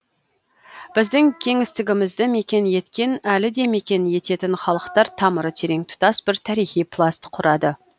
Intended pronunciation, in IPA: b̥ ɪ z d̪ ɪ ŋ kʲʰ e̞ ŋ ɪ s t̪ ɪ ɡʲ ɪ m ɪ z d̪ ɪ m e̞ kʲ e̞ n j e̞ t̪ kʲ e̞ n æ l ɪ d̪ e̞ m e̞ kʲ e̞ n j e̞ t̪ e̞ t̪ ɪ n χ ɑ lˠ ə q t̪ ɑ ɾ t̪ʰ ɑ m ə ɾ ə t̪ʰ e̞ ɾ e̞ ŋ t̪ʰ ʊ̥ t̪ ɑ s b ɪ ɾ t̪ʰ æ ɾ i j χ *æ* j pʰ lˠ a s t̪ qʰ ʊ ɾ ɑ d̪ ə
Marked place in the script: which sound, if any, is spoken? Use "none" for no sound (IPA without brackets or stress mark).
i